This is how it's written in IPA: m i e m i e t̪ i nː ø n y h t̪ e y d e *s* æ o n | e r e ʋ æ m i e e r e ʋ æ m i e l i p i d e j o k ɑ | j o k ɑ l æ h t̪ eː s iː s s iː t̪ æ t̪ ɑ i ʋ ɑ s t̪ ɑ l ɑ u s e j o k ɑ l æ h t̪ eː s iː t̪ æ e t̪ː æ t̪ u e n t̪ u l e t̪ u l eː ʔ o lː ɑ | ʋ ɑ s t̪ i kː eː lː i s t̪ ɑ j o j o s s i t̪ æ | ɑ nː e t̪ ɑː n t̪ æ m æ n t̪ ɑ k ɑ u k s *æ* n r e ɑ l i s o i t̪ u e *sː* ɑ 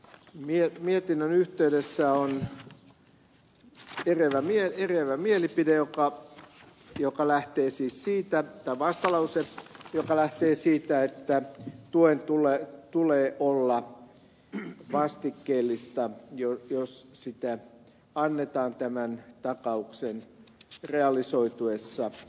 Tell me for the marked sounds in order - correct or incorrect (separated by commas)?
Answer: incorrect, incorrect, correct